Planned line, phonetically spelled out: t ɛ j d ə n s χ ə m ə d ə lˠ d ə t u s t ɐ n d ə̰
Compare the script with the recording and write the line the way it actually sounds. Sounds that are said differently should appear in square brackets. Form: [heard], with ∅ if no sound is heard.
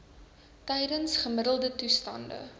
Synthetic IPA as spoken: t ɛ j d ə n s χ ə m ə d ə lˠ d ə t u s t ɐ n d ə̰